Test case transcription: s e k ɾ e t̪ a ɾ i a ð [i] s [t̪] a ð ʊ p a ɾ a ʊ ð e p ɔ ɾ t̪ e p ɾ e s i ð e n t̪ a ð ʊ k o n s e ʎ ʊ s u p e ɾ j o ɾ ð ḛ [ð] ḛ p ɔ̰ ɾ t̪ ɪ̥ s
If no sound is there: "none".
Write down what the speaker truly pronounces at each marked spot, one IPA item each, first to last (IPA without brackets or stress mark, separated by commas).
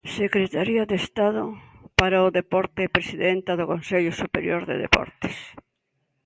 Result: e, t̪, ð